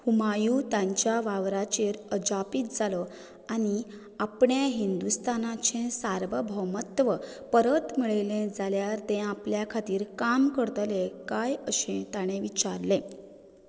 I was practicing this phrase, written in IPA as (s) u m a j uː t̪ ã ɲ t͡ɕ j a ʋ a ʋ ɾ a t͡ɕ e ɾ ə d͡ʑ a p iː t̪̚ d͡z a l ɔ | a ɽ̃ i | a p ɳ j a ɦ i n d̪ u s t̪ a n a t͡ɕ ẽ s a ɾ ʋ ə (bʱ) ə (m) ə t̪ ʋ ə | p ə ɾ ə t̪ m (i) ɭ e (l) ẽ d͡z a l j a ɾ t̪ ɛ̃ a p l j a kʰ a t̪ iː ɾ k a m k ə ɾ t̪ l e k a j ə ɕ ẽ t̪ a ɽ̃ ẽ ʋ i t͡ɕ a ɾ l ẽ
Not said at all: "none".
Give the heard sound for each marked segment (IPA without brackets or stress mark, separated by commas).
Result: h, bʱ, m, i, l